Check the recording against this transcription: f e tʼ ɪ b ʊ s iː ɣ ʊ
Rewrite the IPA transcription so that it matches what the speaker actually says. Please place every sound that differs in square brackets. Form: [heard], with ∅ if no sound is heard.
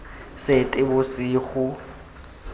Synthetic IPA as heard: [s] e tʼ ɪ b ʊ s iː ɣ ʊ